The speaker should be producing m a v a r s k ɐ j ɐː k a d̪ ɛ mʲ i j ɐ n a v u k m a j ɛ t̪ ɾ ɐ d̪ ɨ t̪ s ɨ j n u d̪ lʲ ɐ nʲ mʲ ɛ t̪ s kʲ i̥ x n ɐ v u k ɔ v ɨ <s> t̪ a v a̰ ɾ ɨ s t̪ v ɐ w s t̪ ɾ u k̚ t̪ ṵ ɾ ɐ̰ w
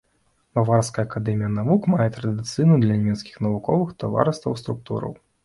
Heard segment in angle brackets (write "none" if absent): x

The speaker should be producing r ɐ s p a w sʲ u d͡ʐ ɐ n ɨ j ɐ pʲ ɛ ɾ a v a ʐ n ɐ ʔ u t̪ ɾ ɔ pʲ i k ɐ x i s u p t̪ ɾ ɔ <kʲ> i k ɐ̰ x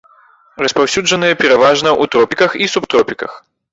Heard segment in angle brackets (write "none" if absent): pʲ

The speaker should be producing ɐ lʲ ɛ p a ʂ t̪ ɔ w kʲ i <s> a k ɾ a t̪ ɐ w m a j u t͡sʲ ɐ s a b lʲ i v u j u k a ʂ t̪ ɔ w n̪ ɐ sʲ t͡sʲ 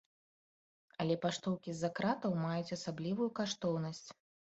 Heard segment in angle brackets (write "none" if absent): z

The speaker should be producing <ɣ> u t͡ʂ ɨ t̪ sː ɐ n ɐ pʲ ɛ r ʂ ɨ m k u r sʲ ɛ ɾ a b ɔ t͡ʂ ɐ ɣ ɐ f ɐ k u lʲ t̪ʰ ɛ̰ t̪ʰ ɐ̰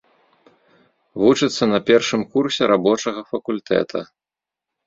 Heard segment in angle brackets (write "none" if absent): v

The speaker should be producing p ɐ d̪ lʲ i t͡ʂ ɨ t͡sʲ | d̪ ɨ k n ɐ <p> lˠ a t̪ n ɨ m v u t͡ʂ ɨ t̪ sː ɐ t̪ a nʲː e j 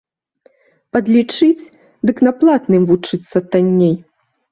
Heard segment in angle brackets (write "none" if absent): p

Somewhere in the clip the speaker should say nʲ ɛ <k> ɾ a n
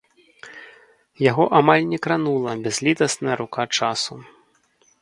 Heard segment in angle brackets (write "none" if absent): k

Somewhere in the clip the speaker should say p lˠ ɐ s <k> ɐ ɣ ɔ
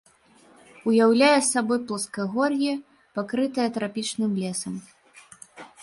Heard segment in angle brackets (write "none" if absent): k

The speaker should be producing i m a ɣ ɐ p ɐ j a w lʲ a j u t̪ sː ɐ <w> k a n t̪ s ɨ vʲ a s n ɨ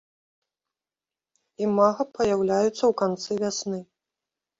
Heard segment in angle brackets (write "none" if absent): w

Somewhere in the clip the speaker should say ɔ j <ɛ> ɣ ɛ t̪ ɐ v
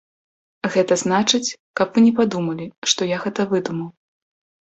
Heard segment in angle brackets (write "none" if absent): a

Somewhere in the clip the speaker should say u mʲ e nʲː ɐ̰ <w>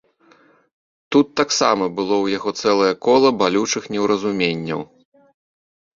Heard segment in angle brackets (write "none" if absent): w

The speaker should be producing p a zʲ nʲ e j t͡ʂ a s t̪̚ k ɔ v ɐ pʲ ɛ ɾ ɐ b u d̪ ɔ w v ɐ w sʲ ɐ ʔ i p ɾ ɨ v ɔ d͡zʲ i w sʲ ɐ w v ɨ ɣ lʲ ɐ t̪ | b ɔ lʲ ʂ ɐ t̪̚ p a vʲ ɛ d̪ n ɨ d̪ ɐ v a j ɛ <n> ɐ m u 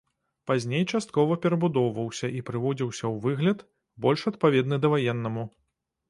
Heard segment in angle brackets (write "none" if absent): nː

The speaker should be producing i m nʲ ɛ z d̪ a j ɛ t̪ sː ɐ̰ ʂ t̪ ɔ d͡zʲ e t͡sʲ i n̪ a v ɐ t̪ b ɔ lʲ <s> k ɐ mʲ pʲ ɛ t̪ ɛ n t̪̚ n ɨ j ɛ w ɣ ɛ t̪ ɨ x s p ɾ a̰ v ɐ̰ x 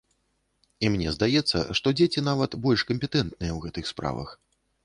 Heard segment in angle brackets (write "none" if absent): ʂ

